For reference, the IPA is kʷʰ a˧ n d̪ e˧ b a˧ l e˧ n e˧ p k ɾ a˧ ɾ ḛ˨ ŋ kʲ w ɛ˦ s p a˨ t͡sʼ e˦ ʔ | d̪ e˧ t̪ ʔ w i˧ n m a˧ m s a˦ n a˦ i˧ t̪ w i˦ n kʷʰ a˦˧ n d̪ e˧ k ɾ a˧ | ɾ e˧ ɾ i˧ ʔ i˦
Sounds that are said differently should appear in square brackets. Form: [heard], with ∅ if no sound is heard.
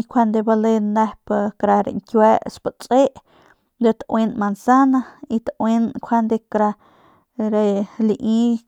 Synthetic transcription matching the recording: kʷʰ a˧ n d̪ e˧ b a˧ l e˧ n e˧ p k ɾ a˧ ɾ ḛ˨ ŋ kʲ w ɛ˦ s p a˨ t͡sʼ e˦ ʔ | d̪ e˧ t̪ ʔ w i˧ n m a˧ [n] s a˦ n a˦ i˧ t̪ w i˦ n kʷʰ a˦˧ n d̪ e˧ k ɾ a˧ | ɾ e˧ [l] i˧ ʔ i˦